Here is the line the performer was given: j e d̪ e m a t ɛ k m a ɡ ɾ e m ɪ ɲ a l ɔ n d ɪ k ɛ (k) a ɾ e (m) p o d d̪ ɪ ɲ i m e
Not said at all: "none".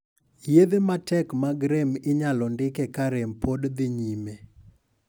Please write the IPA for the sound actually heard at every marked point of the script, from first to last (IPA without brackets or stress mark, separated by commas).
k, m